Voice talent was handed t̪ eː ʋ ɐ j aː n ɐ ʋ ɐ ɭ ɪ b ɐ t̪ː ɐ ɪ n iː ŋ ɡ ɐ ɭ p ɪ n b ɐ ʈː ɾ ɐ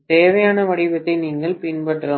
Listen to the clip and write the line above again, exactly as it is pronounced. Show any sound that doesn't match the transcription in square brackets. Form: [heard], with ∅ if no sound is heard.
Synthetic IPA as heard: t̪ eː ʋ ɐ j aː n ɐ ʋ ɐ [ɽ] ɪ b ɐ t̪ː ɐ ɪ n iː ŋ ɡ ɐ ɭ p ɪ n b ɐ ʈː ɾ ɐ